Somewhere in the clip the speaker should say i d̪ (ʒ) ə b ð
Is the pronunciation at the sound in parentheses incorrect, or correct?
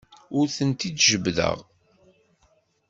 correct